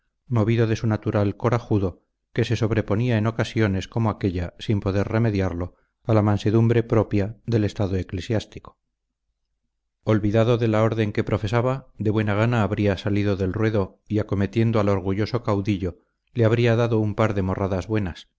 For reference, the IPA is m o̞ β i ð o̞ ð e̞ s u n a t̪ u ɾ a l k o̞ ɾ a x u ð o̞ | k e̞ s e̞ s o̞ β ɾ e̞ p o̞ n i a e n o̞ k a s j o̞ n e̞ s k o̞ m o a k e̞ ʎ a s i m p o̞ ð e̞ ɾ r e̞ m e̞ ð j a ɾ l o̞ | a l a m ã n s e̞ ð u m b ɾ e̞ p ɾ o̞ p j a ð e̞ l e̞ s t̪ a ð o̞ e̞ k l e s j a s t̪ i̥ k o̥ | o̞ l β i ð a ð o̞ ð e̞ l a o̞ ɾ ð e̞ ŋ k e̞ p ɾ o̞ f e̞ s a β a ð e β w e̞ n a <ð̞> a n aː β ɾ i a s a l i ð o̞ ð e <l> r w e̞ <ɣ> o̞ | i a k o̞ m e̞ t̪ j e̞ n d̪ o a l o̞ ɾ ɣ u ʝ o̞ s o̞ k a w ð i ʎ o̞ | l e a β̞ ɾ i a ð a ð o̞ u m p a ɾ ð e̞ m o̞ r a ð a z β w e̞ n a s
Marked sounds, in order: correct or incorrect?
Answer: incorrect: ɣ̞, correct, incorrect: ð

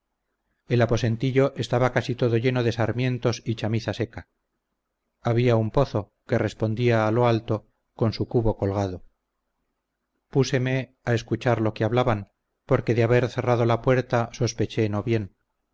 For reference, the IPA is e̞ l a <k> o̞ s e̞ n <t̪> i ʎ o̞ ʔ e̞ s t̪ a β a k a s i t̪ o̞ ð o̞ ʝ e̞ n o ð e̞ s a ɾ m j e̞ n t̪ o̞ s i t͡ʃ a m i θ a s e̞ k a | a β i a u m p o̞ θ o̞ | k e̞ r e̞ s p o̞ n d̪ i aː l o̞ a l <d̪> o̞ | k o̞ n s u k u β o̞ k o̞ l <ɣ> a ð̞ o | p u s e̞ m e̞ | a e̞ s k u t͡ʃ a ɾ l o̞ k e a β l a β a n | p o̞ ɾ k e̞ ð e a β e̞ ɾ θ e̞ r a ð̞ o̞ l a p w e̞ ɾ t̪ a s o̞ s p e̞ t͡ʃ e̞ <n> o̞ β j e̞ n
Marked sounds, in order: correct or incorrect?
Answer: incorrect: p, correct, incorrect: t̪, correct, correct

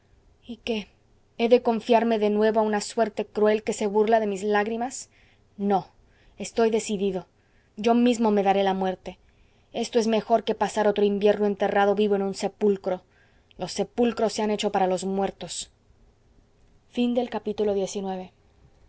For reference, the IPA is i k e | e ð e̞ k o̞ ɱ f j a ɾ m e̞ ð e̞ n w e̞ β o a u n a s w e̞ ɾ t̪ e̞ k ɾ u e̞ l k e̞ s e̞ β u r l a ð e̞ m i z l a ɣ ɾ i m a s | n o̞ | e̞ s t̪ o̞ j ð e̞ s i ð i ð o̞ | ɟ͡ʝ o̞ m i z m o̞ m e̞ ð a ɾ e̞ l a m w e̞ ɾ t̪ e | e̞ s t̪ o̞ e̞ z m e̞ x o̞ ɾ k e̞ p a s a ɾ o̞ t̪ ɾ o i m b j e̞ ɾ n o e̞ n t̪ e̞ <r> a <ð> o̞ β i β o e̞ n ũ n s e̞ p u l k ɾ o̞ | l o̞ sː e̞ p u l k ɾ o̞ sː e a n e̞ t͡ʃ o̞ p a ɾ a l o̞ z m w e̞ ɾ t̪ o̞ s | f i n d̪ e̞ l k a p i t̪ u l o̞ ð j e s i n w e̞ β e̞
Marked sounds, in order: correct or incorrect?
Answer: correct, correct

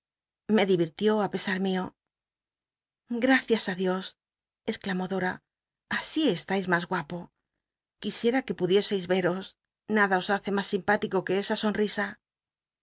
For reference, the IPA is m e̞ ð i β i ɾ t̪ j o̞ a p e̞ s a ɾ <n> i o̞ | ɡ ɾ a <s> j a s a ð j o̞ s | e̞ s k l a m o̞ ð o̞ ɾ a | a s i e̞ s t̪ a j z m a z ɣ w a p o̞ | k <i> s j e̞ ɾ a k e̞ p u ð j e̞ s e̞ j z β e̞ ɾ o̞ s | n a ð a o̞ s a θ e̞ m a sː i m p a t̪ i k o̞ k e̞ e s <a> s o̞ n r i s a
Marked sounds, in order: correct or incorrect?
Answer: incorrect: m, incorrect: θ, correct, correct

